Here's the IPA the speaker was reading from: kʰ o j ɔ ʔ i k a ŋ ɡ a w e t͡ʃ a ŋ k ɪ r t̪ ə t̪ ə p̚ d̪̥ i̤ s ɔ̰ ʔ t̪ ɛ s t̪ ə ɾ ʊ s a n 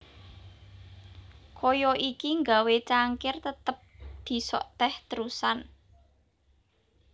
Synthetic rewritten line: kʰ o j ɔ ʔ i k i ŋ ɡ a w e t͡ʃ a ŋ k ɪ r t̪ ə t̪ ə p̚ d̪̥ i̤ s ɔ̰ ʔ t̪ ɛ h t̪ ə ɾ u s a n